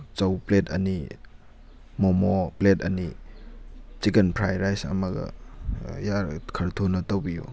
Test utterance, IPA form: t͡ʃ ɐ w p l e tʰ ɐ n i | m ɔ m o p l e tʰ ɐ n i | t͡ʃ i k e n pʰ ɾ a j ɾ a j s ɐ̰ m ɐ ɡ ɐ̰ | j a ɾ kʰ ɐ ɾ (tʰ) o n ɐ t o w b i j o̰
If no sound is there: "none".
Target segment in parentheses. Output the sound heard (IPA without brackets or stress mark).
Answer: tʰ